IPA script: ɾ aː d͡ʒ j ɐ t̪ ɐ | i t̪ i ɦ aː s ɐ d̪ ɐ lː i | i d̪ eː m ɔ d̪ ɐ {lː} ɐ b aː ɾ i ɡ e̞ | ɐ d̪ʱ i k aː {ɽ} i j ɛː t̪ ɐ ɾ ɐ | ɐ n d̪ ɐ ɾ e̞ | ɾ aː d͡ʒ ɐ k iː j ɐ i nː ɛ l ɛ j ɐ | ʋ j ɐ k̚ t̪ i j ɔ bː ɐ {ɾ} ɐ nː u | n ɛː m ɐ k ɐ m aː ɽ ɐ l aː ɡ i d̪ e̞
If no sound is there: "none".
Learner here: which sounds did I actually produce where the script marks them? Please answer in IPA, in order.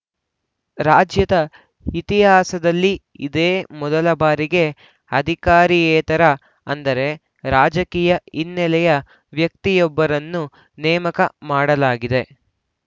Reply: l, ɾ, ɾ

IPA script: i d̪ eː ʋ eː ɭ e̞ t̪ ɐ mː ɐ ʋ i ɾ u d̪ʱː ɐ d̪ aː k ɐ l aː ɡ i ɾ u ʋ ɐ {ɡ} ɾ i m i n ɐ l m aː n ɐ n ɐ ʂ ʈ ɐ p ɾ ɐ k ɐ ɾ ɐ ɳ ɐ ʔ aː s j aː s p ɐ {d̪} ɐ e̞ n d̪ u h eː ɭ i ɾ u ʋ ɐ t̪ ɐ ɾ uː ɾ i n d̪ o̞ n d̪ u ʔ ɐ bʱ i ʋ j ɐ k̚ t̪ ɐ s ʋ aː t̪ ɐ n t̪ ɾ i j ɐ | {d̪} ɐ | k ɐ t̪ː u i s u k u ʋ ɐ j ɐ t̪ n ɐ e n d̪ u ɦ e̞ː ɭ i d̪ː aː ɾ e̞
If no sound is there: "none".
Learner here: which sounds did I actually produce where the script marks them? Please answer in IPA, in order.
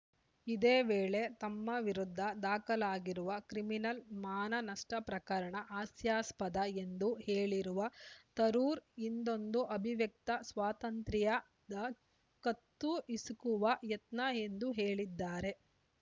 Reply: k, d̪, d̪

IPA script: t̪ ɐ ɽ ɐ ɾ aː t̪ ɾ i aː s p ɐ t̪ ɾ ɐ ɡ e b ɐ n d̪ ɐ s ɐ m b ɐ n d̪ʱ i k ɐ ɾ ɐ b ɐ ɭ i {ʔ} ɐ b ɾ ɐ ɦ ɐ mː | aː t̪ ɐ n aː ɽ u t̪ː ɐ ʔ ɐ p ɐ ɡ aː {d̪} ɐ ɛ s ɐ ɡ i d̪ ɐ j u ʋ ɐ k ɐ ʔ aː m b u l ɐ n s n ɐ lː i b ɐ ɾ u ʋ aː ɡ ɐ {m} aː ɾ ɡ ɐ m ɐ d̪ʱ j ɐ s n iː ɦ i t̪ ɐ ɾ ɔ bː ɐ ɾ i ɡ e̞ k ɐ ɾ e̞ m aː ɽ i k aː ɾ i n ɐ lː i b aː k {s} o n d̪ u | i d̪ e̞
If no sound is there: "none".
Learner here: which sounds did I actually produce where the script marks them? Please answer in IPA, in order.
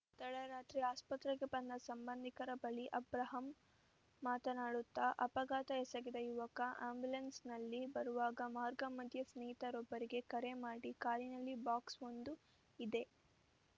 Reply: ʔ, t̪, m, s

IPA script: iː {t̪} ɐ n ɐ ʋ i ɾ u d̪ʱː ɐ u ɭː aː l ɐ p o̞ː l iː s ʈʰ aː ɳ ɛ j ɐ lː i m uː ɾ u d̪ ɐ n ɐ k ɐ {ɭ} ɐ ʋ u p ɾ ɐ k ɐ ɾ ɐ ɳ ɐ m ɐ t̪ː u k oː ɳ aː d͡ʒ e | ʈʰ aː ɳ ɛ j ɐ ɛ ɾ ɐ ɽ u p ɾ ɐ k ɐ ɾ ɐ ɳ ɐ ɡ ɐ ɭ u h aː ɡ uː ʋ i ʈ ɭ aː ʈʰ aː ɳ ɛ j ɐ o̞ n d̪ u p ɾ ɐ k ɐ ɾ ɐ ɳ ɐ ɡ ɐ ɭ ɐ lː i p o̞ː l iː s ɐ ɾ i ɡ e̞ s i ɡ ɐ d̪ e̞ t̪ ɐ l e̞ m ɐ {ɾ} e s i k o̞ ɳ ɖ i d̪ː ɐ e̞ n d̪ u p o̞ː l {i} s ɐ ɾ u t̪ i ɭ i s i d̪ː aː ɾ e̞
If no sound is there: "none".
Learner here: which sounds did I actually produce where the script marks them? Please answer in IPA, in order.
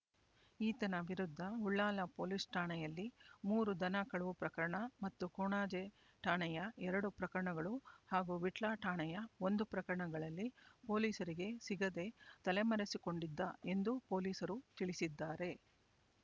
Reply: t̪, ɭ, ɾ, iː

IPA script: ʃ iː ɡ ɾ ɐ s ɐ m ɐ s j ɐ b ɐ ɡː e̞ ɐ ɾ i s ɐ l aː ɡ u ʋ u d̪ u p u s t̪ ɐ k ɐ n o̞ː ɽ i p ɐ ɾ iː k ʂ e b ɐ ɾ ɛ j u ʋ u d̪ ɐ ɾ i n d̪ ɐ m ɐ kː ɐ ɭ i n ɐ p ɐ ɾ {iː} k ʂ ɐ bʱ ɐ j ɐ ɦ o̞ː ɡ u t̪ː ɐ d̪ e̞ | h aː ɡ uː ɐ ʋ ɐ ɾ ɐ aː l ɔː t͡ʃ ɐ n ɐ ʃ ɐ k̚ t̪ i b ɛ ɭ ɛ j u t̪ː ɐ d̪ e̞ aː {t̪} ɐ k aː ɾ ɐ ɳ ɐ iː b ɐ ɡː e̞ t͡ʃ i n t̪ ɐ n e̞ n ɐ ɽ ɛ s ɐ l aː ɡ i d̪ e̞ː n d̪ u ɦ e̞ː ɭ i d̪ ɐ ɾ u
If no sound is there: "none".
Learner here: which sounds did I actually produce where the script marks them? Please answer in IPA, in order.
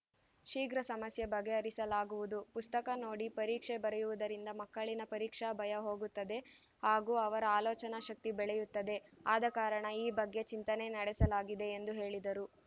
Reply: iː, d̪

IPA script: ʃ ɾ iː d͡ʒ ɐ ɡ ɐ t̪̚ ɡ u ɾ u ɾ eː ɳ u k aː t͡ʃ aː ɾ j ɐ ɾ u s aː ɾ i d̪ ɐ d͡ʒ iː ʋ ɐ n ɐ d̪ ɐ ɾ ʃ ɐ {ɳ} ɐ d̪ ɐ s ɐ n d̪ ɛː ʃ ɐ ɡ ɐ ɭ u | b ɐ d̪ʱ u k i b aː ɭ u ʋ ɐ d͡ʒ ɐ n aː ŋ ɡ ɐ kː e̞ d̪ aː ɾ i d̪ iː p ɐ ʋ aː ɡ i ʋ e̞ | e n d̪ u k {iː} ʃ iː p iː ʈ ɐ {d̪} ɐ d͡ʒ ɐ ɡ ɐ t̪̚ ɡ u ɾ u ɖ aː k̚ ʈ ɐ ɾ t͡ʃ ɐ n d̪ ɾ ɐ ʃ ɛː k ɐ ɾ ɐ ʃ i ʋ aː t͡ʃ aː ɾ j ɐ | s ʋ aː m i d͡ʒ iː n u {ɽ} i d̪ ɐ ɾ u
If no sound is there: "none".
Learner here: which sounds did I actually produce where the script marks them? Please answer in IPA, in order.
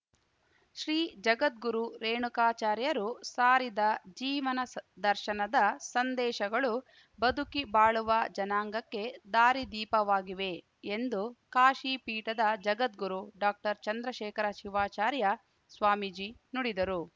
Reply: n, aː, d̪, ɽ

